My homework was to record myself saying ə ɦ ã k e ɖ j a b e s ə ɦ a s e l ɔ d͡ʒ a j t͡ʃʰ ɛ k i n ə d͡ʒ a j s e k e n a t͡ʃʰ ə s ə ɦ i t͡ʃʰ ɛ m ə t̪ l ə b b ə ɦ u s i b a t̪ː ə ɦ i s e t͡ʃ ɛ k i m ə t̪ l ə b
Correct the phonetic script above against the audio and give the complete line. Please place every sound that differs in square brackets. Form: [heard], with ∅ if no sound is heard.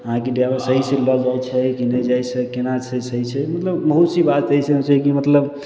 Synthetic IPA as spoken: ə ɦ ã k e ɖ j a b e s ə ɦ [i] s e l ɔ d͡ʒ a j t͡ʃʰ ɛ k i n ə d͡ʒ a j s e k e n a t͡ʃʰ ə s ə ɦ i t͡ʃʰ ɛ m ə t̪ l ə b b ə ɦ u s i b a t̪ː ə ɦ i s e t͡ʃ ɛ k i m ə t̪ l ə b